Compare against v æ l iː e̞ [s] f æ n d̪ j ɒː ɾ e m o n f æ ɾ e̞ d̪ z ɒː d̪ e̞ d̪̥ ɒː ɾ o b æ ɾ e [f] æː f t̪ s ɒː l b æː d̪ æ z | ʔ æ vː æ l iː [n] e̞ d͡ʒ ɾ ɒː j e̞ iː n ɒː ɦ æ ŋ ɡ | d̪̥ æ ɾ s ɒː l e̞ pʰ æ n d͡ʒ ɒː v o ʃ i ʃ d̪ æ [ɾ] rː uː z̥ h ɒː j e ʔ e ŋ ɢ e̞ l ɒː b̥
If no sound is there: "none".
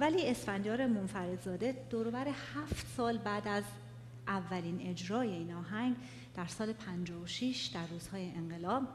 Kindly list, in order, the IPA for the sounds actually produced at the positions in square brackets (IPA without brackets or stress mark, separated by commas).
s, h, n, none